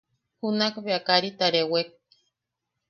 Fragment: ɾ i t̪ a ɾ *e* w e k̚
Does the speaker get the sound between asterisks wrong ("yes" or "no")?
no